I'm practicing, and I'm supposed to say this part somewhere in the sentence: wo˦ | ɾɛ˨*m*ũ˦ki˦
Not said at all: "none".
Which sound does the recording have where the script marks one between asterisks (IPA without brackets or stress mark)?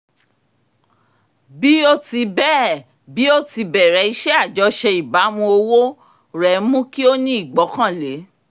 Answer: m